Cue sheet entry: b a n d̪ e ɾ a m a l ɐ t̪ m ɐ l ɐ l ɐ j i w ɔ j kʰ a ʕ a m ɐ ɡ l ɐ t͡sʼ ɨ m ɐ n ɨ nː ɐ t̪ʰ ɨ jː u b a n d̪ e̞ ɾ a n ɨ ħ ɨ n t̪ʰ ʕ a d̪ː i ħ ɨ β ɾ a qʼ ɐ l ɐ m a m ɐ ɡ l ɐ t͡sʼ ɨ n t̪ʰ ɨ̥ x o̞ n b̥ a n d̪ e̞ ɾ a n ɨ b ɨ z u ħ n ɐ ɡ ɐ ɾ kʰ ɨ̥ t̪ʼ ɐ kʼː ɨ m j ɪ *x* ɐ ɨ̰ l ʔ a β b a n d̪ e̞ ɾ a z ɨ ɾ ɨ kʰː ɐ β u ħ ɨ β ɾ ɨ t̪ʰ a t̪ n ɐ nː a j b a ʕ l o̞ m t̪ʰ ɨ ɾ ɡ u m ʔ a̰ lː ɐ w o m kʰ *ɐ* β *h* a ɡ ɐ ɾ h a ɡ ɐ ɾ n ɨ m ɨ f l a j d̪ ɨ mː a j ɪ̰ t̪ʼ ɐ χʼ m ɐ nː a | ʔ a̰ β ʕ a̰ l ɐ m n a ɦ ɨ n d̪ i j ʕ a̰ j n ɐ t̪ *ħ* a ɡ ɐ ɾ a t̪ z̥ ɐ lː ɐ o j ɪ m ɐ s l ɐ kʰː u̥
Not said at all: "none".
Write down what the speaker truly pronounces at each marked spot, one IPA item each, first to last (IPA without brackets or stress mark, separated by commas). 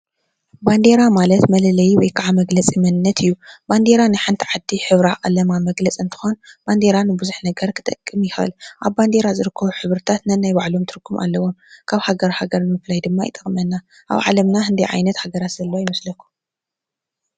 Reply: x, a, h, h